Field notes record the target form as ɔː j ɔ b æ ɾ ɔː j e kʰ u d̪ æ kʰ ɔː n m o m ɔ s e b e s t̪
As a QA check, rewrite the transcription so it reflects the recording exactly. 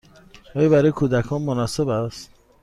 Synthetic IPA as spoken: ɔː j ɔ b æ ɾ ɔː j e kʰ u d̪ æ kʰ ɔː n m o n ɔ s e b æ s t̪